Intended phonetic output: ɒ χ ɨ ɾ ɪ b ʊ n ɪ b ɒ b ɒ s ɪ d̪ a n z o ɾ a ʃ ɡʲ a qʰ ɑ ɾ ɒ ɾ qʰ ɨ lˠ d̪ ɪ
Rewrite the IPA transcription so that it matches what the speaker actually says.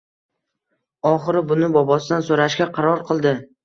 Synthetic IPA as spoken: ɒ χ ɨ ɾ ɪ b ʊ n ɪ b ɒ b ɒ s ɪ d̪ a n s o ɾ a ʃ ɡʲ a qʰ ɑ ɾ ɒ ɾ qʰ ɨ lˠ d̪ ɪ